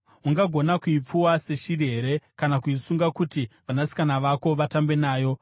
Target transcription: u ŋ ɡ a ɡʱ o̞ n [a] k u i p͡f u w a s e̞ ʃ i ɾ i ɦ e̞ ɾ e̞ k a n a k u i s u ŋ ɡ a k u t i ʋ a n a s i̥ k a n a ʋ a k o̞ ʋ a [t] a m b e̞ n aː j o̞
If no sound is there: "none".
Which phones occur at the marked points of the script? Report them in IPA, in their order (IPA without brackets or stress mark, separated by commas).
a, t